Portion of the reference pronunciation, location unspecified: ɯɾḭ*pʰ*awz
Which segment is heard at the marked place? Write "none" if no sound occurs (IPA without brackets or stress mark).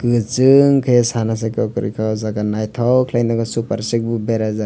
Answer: kʰ